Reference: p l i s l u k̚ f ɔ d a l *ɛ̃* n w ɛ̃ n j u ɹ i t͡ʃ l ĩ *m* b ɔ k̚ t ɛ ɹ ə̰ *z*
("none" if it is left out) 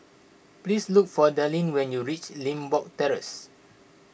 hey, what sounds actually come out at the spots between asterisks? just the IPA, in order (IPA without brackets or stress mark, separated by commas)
ĩ, m, s